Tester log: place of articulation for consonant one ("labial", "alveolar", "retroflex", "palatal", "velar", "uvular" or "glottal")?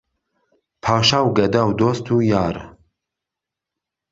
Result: labial